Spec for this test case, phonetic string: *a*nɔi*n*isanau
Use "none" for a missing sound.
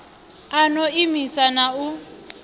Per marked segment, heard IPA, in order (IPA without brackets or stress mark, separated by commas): a, m